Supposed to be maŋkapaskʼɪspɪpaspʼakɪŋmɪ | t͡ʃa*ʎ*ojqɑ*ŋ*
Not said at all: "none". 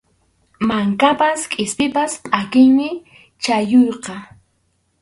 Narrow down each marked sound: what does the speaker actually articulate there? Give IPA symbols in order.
j, none

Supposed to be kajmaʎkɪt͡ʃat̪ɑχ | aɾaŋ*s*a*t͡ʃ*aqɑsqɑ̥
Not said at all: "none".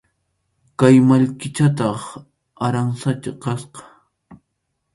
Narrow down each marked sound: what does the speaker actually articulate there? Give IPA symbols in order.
s, t͡ʃ

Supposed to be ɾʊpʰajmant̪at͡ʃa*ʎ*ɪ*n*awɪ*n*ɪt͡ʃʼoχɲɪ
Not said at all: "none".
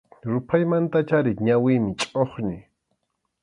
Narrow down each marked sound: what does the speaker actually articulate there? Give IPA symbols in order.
ɾ, ɲ, m

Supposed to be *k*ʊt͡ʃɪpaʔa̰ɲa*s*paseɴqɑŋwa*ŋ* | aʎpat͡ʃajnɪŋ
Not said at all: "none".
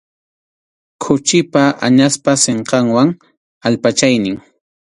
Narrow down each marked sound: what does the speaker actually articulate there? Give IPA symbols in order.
kʰ, s, ŋ

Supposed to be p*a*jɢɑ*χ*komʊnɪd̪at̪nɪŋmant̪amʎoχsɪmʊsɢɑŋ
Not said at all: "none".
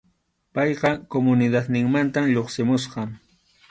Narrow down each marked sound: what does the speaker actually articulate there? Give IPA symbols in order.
ɑ, none

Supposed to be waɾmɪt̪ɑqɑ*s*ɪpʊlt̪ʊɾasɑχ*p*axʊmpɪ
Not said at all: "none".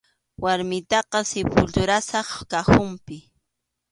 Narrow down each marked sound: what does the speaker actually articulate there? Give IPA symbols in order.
s, k

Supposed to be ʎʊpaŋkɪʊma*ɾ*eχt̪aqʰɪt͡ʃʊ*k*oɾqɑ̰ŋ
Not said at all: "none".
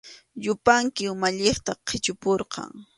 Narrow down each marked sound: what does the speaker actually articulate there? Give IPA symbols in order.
ʎ, p

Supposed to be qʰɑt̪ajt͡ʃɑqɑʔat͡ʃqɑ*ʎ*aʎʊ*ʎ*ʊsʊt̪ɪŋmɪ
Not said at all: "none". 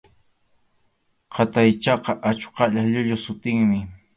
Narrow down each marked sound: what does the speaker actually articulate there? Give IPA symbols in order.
ʎ, ʎ

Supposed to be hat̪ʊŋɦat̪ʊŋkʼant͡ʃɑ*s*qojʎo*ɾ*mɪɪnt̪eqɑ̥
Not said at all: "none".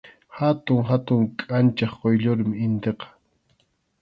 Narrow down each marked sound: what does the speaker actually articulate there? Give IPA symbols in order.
χ, ɾ

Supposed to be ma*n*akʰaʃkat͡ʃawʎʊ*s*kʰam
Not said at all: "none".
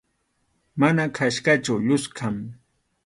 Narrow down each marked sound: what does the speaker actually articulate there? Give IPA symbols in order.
n, s

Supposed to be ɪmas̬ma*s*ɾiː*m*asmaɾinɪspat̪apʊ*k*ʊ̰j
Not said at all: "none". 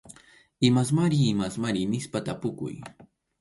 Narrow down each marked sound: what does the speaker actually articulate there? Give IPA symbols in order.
none, m, k

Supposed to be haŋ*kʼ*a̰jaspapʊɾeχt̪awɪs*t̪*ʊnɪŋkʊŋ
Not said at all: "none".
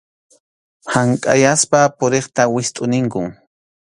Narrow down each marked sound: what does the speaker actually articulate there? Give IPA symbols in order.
kʼ, t̪ʼ

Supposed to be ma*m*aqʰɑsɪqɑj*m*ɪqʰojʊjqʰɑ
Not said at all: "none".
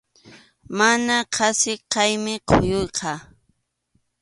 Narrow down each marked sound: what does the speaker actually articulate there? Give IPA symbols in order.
n, m

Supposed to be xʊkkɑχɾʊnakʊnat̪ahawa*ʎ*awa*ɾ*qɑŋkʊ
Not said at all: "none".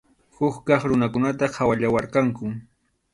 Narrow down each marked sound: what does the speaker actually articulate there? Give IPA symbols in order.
ʎ, ɾ

